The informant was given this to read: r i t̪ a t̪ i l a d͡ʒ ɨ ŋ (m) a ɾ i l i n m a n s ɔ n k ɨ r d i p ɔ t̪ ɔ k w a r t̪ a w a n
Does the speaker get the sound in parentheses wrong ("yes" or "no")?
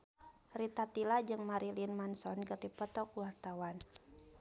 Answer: no